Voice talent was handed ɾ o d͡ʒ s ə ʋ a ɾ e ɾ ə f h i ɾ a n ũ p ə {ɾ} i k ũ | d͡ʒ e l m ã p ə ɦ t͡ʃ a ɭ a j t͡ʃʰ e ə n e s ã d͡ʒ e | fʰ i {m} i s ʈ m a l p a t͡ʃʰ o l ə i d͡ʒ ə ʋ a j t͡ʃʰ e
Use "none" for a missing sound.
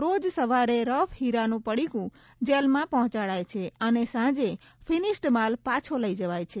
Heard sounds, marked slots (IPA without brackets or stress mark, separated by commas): ɽ, n